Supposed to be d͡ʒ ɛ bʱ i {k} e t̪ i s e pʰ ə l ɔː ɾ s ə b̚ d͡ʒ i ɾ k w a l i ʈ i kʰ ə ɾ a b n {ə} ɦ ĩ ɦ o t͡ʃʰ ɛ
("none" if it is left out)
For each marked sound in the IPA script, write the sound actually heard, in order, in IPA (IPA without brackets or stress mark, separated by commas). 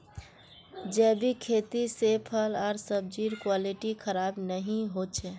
kʰ, ə